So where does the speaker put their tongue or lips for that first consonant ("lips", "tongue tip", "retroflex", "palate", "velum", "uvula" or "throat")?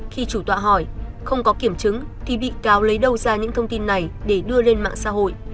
velum